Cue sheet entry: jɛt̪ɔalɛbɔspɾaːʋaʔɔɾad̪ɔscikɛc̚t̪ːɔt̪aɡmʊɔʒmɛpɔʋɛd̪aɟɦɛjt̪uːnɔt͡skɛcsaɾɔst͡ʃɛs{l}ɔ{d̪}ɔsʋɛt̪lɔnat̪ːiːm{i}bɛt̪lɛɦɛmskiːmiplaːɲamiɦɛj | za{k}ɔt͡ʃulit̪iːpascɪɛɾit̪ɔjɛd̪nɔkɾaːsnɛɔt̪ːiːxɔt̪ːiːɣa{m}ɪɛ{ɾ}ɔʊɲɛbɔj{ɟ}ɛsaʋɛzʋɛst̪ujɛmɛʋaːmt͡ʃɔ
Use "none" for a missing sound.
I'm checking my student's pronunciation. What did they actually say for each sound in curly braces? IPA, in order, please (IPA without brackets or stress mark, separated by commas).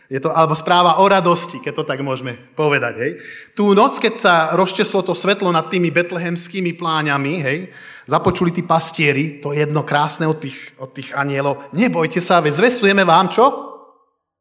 l, t̪, i, p, ɲ, l, c